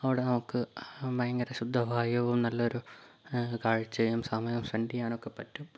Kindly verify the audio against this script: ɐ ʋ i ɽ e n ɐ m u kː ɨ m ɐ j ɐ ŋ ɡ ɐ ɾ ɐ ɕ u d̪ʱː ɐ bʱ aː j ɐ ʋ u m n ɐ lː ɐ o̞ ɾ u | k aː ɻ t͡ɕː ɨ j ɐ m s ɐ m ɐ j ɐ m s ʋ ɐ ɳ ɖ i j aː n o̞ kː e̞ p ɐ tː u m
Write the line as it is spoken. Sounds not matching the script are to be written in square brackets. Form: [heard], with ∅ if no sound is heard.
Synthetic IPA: ɐ ʋ i ɽ e n ɐ m u kː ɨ m ɐ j ɐ ŋ ɡ ɐ ɾ ɐ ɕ u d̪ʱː ɐ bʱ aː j ɐ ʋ u m n ɐ lː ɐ o̞ ɾ u | k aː ɻ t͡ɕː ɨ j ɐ m s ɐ m ɐ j ɐ m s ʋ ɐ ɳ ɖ i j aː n o̞ kː e̞ p ɐ tː u m